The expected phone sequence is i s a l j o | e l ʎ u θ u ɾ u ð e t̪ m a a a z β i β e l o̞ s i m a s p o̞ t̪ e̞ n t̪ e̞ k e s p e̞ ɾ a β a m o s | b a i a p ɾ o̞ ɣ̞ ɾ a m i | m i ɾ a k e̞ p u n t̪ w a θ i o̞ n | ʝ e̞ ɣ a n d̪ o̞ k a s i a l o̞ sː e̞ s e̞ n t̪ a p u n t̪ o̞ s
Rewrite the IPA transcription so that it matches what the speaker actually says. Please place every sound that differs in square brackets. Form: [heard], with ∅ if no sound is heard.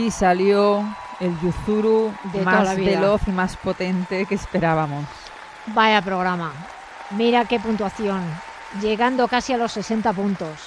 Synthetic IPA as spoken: i s a l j o | e l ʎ u θ u ɾ u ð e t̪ m a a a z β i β e l o̞ [θ] i m a s p o̞ t̪ e̞ n t̪ e̞ k e s p e̞ ɾ a β a m o s | b a [j] a p ɾ o̞ ɣ̞ ɾ a m [a] | m i ɾ a k e̞ p u n t̪ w a θ [j] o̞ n | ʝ e̞ ɣ a n d̪ o̞ k a s i a l o̞ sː e̞ s e̞ n t̪ a p u n t̪ o̞ s